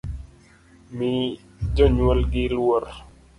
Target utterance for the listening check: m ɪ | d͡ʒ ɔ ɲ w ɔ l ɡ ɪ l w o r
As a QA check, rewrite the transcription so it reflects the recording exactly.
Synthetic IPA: m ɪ | d͡ʒ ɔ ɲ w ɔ l ɡ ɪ l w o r

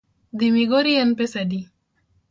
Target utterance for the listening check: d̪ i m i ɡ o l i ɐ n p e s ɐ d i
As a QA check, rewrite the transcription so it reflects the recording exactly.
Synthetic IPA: d̪ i m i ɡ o ɾ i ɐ n p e s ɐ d i

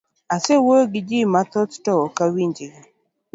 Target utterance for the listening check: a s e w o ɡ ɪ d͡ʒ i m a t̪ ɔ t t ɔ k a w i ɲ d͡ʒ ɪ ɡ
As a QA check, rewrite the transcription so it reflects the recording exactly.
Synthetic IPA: a s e w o ɡ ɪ d͡ʒ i m a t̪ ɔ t t ɔ k a w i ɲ d͡ʒ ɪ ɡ

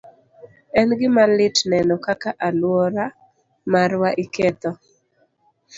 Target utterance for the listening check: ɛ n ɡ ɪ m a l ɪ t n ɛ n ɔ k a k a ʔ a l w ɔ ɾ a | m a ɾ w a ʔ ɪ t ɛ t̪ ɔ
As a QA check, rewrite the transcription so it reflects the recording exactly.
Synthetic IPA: ɛ n ɡ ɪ m a l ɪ t n ɛ n ɔ k a k a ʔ a l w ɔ ɾ a | m a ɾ w a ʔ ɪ k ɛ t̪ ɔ

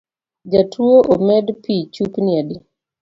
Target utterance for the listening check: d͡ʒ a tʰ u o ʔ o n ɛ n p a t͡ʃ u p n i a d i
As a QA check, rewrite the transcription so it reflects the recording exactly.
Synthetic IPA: d͡ʒ a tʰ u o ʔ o m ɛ d p i t͡ʃ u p n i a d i

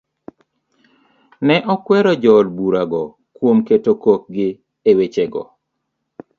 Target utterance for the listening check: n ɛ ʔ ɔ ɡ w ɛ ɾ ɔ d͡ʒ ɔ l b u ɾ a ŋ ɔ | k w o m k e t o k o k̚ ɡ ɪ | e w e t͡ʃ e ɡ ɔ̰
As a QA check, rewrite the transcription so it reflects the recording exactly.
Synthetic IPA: n ɛ ʔ ɔ k w ɛ ɾ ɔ d͡ʒ ɔ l b u ɾ a ɡ ɔ | k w o m k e t o k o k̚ ɡ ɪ | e w e t͡ʃ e ɡ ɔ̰

